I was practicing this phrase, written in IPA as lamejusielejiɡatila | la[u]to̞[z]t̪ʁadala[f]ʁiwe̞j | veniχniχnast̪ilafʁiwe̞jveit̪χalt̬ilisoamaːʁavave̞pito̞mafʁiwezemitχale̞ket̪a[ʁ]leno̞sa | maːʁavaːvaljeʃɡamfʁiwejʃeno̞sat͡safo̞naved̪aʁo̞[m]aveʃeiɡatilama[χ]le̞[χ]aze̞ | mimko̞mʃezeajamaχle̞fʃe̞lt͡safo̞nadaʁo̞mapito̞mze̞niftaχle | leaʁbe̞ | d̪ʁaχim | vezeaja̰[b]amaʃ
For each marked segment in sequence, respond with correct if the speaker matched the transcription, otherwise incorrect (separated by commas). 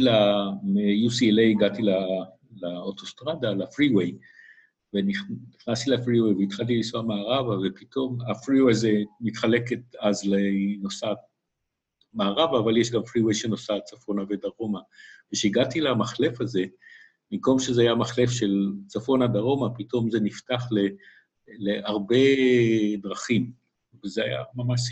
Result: incorrect, incorrect, correct, incorrect, correct, correct, incorrect, incorrect